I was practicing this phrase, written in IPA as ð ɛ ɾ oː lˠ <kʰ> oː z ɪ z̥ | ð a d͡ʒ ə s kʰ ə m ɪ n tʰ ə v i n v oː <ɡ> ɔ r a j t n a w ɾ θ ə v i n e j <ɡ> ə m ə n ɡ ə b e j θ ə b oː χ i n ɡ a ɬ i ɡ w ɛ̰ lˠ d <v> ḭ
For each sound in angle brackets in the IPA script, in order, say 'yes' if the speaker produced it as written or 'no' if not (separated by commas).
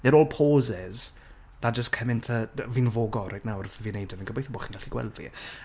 no, yes, no, yes